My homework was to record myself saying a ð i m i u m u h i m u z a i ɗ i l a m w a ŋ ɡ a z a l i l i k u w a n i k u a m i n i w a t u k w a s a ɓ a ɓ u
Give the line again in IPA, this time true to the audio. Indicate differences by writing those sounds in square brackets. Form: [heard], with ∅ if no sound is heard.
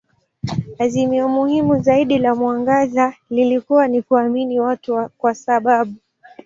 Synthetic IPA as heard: a [z] i m i [ɔ] m u h i m u z a i ɗ i l a m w a ŋ ɡ a z a l i l i k u w a n i k u a m i n i w a t u k w a s a ɓ a ɓ u

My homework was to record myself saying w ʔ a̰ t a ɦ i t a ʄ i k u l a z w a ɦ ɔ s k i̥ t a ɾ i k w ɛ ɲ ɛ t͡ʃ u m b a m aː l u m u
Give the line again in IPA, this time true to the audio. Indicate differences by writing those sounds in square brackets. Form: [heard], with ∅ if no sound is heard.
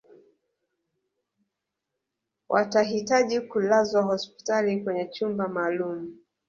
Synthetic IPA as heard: w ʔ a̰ t a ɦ i t a ʄ i k u l a z w a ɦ ɔ s [p] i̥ t a [l] i k w ɛ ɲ ɛ t͡ʃ u m b a m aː l u m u

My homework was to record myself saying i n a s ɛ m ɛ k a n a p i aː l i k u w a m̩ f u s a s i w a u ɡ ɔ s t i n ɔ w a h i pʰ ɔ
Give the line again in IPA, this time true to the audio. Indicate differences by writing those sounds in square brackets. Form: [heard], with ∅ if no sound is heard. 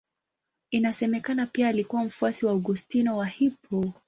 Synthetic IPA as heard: i n a s ɛ m ɛ k a n a p i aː l i k u w a m̩ f u [∅] a s i w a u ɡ [u] s t i n ɔ w a h i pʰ ɔ

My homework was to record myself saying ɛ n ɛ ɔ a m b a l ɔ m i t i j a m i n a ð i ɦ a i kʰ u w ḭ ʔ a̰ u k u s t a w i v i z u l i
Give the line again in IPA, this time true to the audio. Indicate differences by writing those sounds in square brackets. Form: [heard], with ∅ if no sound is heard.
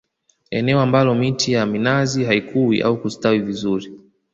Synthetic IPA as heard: ɛ n ɛ ɔ a m b a l ɔ m i t i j a m i n a [z] i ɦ a i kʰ u w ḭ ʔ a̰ u k u s t a w i v i z u [ɾ] i

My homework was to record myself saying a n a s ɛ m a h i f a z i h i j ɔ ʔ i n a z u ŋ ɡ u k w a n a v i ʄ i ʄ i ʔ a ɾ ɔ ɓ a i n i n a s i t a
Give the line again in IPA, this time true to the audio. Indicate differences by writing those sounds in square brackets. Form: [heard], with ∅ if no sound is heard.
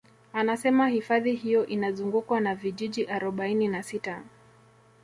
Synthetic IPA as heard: a n a s ɛ m a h i f a [ð] i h i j ɔ ʔ i n a z u ŋ ɡ u k w a n a v i ʄ i ʄ i ʔ a ɾ ɔ ɓ a i n i n a s i t a

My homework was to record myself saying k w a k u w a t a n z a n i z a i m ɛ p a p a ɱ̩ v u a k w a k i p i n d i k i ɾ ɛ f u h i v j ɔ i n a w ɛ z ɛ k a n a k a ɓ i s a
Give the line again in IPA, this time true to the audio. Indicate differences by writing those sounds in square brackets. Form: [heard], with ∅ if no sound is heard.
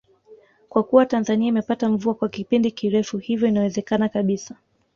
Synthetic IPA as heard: k w a k u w a t a n z a n i [∅] a i m ɛ p a [t] a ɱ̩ v u a k w a k i p i n d i k i ɾ ɛ f u h i v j ɔ i n a w ɛ z ɛ k a n a k a ɓ i s a

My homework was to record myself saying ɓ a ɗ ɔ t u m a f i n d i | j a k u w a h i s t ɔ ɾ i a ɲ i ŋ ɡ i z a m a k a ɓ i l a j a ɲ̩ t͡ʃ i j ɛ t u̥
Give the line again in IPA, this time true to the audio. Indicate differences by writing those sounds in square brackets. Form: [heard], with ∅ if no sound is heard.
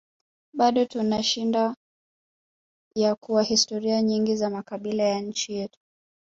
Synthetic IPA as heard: ɓ a ɗ ɔ t u [n] a [ʃ] i n d [a] | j a k u w a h i s t ɔ ɾ i a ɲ i ŋ ɡ i z a m a k a ɓ i l a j a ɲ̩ t͡ʃ i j ɛ t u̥

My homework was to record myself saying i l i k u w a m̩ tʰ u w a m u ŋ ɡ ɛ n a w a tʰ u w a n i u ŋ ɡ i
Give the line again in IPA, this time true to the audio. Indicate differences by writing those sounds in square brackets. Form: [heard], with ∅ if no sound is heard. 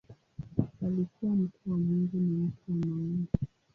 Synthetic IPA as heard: [a] l i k u w a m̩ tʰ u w a m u ŋ ɡ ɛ n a w a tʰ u w a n [a] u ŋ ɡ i

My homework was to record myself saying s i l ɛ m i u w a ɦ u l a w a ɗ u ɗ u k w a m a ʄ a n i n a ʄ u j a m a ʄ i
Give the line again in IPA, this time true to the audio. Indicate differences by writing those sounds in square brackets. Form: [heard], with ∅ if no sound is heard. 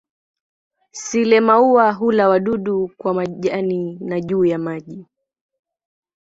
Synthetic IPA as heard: s i l ɛ m [a] u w a ɦ u l a w a ɗ u ɗ u k w a m a ʄ a n i n a ʄ [uː] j a m a ʄ i

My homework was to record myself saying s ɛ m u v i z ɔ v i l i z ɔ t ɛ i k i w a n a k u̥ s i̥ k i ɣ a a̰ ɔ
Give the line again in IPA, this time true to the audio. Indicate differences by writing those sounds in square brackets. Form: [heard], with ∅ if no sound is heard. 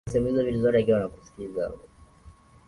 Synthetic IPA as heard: s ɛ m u [∅] i z ɔ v i l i z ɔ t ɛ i k i w a n a k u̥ s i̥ k i [z] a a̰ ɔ

